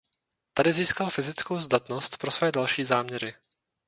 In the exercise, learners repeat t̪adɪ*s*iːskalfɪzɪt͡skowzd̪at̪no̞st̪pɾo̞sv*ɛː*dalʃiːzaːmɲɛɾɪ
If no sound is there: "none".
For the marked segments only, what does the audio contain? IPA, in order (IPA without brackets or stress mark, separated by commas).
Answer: z, ɛː